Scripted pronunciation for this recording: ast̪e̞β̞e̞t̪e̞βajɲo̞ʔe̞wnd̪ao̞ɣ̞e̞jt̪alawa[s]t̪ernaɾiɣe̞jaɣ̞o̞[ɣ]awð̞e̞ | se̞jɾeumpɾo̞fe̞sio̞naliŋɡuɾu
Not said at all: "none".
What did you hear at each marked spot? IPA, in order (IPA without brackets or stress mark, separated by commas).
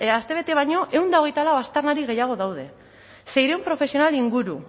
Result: s, ð